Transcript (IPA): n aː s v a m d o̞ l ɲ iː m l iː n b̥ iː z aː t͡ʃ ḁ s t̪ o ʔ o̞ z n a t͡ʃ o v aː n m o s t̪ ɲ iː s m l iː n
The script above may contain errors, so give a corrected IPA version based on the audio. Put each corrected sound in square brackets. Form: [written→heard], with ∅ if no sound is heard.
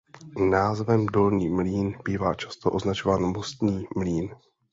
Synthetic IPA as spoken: n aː [s→z] v [a→ɛ] m d o̞ l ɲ iː m l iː n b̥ iː [z→v] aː t͡ʃ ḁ s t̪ o ʔ o̞ z n a t͡ʃ o v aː n m o s t̪ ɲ iː [s→∅] m l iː n